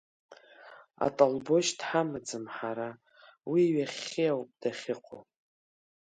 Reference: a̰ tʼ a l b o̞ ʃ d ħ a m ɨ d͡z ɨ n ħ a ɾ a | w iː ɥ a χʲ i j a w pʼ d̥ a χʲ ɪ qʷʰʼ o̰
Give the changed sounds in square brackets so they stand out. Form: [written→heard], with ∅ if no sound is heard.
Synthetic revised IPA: a̰ tʼ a l b o̞ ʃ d ħ a m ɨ d͡z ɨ [n→m] ħ a ɾ a | w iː ɥ a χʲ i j a w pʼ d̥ a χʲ ɪ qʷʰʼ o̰